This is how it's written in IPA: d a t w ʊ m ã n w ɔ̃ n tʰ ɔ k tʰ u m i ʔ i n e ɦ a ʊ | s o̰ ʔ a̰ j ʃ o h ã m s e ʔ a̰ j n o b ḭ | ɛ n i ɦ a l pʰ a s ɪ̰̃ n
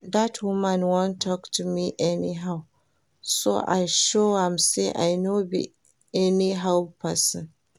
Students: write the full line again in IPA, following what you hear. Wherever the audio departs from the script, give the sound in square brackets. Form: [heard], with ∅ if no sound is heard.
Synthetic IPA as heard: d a t w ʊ m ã n w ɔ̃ n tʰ ɔ k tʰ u m i ʔ [ɛ] n [i] ɦ a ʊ | s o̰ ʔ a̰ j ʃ o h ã m s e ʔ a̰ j n o b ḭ | ɛ n i ɦ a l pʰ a s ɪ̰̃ n